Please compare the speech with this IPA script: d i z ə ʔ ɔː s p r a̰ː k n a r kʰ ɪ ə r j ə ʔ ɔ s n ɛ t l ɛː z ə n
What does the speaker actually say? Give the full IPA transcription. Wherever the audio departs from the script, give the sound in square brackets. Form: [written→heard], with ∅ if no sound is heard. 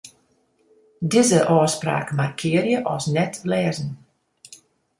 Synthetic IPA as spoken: d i z ə ʔ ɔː s p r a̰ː k [n→m] a r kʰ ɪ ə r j ə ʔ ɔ s n ɛ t l ɛː z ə n